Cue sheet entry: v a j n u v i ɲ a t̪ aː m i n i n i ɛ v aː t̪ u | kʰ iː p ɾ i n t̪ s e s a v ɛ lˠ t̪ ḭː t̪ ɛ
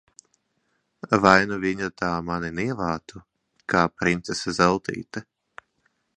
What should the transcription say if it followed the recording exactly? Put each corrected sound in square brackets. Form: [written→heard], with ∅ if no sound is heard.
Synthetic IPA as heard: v a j n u v i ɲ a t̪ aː m [i→a] n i n i ɛ v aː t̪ u | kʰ [iː→aː] p ɾ i n t̪ s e s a [v→z] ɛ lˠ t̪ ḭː t̪ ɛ